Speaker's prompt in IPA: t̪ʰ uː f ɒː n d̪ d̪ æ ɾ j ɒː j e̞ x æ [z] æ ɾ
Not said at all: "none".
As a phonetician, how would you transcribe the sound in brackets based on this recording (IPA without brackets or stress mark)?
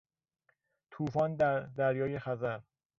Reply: z